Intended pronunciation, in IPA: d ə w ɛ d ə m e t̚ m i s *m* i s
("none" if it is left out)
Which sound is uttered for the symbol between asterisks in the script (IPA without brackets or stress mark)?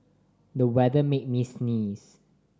n